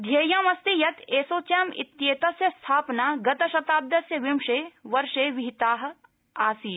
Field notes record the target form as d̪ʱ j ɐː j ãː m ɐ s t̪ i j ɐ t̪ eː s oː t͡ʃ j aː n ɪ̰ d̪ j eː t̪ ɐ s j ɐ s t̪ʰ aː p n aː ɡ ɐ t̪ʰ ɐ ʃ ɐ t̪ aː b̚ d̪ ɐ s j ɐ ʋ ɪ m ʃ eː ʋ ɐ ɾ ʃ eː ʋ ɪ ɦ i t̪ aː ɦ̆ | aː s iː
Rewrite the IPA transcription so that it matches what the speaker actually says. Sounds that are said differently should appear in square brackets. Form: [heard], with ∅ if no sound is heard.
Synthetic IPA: d̪ʱ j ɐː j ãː m ɐ s t̪ i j ɐ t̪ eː s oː t͡ʃ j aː [m] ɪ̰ [t̪] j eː t̪ ɐ s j ɐ s t̪ʰ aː p n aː ɡ ɐ [t̪] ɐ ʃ ɐ t̪ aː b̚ d̪ ɐ s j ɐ ʋ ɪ m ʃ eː ʋ ɐ ɾ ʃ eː ʋ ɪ ɦ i t̪ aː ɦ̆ | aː s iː

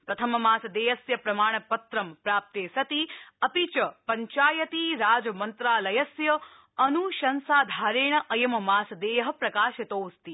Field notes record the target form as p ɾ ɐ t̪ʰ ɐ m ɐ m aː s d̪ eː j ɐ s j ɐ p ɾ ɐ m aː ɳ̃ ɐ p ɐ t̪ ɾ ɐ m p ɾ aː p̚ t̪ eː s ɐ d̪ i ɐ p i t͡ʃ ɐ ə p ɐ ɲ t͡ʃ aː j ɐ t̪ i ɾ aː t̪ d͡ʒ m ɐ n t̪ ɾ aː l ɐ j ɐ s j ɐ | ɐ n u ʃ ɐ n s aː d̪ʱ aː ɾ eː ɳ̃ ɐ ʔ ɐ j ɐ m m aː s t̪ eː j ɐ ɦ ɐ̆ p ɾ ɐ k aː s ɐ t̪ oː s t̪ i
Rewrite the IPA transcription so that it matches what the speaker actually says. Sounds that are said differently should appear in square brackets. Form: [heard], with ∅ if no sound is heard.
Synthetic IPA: p ɾ ɐ t̪ʰ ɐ m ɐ m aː s d̪ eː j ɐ s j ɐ p ɾ ɐ m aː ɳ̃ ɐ p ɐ t̪ ɾ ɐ m p ɾ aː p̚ t̪ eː s ɐ [t̪] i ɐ p i t͡ʃ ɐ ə p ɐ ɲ t͡ʃ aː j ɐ t̪ i ɾ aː [∅] d͡ʒ m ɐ n t̪ ɾ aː l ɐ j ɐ s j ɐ | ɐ n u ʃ ɐ n s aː d̪ʱ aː ɾ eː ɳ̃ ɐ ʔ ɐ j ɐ m m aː s [d̪] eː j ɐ ɦ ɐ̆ p ɾ ɐ k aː [ʃ] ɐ t̪ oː s t̪ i

